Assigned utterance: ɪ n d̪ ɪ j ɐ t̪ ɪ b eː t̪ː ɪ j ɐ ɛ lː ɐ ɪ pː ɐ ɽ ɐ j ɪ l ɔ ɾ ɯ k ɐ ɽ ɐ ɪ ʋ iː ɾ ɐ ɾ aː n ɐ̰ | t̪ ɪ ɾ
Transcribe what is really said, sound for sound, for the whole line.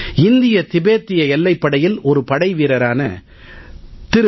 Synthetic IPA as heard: ɪ n d̪ ɪ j ɐ t̪ ɪ b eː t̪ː ɪ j ɐ ɛ lː ɐ ɪ pː ɐ ɽ ɐ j ɪ l ɔ ɾ ɯ p ɐ ɽ ɐ ɪ ʋ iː ɾ ɐ ɾ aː n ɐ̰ | t̪ ɪ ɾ